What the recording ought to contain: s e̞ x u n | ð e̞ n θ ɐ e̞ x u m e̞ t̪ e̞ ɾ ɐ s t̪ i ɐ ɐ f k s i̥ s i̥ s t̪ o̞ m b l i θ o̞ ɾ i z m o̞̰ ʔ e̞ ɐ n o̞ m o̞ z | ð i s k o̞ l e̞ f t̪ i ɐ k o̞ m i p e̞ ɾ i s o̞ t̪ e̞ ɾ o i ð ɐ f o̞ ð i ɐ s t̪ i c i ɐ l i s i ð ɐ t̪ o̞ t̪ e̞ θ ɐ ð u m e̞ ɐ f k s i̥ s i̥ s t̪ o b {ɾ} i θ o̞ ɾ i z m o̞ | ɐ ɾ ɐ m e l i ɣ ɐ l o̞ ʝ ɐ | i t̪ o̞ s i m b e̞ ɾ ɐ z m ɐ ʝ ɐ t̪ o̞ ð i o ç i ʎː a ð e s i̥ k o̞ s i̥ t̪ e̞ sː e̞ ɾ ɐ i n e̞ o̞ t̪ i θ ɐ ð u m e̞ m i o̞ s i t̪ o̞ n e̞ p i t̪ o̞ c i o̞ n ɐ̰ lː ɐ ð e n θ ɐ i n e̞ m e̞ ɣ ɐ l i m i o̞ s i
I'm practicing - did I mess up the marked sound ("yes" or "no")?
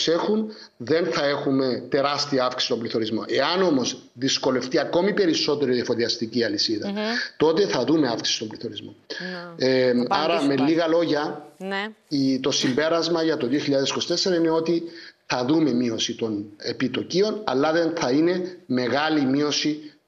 yes